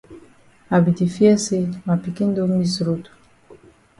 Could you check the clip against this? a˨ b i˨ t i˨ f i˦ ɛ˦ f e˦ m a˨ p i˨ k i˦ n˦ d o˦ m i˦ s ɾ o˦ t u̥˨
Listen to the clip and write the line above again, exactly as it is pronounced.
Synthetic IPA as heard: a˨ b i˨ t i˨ f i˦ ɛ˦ s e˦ m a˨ p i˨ k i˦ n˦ d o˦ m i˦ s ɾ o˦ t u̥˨